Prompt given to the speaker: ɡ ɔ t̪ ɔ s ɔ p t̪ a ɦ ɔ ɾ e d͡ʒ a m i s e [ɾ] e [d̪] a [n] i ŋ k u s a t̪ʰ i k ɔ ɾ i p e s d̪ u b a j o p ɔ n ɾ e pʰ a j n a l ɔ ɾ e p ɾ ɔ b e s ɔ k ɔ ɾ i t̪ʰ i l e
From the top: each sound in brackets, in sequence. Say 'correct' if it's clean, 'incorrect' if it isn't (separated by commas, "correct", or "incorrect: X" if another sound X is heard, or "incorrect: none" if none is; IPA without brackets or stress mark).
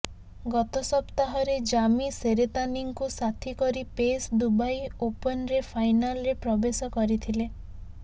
correct, incorrect: t̪, correct